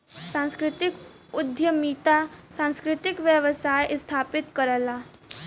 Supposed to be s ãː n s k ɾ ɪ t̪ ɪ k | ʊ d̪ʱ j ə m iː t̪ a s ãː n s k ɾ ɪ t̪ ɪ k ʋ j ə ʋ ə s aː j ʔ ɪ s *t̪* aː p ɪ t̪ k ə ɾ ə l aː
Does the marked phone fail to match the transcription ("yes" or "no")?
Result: yes